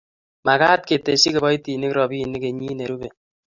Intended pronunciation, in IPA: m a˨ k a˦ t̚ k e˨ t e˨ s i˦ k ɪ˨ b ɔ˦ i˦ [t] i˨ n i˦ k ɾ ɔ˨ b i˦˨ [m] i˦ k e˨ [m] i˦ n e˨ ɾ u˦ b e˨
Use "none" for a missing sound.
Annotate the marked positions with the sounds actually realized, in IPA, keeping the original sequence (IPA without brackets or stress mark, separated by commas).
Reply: t, n, ɲ